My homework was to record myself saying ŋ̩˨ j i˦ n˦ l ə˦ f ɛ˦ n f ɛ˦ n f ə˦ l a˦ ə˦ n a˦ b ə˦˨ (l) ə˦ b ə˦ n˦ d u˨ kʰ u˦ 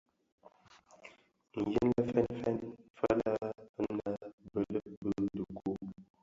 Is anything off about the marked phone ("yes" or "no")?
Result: no